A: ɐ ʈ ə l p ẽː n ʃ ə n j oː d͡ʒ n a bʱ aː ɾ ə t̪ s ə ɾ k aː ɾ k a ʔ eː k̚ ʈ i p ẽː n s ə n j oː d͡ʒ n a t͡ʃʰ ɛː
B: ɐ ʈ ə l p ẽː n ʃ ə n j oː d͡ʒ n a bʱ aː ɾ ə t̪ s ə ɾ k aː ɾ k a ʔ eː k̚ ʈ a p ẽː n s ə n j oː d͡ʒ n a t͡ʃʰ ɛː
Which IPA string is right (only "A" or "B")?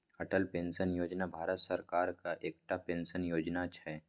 B